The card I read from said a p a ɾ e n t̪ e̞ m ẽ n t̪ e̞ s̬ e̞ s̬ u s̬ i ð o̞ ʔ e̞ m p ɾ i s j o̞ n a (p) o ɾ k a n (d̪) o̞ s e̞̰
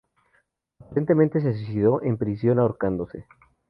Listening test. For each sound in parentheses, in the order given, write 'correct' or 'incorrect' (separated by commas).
incorrect, correct